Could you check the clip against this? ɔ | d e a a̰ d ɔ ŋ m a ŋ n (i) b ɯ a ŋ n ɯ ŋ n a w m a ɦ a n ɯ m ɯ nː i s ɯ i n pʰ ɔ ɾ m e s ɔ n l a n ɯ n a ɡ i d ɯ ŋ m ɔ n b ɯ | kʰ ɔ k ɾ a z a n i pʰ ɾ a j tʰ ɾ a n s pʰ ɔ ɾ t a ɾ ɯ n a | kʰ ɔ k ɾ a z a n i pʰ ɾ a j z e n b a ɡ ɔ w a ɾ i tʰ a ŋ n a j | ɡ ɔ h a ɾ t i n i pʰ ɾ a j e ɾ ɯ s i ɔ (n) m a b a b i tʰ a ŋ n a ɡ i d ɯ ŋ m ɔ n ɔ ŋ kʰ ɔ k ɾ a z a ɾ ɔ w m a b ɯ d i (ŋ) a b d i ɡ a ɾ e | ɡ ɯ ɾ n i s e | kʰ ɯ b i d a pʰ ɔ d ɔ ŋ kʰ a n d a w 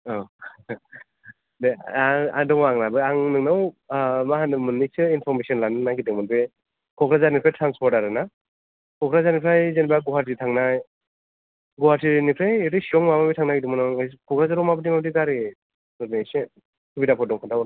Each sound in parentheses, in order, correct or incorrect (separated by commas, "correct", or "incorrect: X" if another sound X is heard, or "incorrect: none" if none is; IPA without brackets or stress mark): incorrect: a, incorrect: ŋ, incorrect: m